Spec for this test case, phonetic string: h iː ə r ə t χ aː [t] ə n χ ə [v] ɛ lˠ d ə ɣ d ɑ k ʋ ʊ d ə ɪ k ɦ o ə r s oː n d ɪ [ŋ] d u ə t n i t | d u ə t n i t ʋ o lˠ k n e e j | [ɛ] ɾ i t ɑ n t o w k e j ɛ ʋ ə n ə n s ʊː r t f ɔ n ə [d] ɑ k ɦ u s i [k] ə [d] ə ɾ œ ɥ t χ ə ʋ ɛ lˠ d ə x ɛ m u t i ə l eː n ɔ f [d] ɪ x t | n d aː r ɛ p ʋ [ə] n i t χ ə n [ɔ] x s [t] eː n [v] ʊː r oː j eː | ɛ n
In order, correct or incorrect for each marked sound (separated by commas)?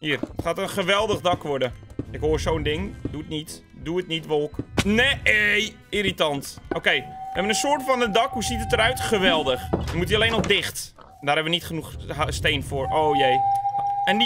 correct, incorrect, correct, incorrect, correct, incorrect, incorrect, correct, correct, incorrect, correct, incorrect